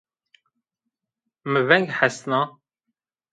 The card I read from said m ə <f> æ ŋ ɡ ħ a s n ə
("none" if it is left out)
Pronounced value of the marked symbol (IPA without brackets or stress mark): v